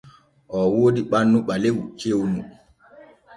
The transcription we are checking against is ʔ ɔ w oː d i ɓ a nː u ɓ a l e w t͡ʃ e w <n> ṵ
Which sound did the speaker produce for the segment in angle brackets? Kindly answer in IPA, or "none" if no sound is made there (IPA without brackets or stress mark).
n